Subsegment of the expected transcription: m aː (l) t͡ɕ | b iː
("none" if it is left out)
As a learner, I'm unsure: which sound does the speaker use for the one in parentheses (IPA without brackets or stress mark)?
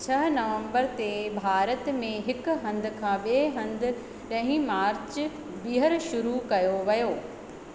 ɾ